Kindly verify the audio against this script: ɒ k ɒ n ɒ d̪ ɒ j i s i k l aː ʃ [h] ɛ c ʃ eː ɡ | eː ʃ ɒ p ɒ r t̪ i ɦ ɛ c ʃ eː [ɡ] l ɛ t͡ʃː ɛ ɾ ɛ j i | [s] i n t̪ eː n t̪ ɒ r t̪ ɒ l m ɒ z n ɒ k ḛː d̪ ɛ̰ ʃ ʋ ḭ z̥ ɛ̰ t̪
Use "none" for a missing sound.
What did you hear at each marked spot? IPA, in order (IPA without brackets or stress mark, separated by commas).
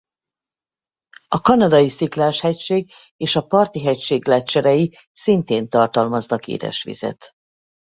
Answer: h, ɡ, s